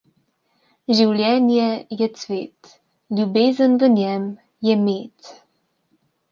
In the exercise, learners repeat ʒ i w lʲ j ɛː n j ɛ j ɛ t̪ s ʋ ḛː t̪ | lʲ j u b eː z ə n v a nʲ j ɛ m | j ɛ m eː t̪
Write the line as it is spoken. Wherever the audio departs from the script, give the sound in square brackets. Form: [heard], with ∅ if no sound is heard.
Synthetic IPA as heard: ʒ i w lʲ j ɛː n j ɛ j ɛ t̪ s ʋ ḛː t̪ | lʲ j u b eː z ə n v [ə] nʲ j ɛ m | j ɛ m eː t̪